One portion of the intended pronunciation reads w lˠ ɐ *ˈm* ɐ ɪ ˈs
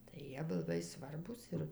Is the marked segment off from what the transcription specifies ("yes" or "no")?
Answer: yes